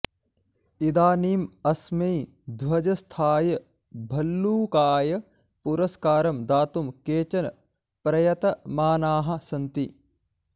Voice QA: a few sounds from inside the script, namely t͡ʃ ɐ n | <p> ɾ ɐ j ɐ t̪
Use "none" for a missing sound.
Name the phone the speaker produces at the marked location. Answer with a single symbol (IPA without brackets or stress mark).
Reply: p